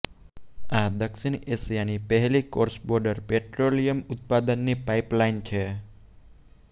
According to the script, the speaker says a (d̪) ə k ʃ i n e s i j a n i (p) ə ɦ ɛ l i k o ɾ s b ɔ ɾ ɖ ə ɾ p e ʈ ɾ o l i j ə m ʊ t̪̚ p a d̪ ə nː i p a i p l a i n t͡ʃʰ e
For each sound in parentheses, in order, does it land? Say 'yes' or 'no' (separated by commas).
yes, yes